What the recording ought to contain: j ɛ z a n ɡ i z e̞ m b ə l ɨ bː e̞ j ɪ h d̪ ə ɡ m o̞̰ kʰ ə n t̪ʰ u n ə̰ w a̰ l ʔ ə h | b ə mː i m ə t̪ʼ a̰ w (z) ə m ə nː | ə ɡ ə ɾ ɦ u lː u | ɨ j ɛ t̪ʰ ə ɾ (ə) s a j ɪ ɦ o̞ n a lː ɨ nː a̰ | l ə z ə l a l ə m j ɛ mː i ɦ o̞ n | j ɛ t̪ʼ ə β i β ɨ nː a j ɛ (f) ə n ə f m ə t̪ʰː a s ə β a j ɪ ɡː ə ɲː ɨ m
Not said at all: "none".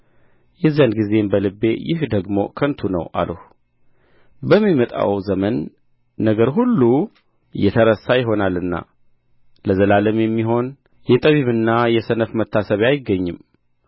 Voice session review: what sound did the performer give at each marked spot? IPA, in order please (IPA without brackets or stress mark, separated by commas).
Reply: z, ə, s